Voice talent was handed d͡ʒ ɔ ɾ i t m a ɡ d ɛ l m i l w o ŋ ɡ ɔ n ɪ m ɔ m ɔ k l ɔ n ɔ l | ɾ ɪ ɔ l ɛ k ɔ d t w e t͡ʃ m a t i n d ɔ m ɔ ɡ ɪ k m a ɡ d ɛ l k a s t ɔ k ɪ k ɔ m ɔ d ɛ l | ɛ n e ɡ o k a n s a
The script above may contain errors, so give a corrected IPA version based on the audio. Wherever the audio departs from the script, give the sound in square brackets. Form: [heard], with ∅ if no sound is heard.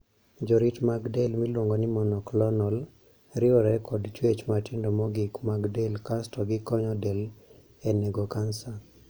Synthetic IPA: d͡ʒ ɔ ɾ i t m a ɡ d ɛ l m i l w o ŋ ɡ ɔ n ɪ m ɔ [n] ɔ k l ɔ n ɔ l | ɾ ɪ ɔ [ɾ] ɛ k ɔ d [t͡ʃ] w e t͡ʃ m a t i n d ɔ m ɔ ɡ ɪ k m a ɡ d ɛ l k a s t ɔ [ɡ] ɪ k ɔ [ɲ] ɔ d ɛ l | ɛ n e ɡ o k a n s a